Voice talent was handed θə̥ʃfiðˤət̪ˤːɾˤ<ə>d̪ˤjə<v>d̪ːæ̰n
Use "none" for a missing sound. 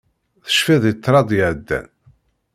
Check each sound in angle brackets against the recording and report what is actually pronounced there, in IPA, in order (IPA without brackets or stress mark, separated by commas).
ɑ, ʕ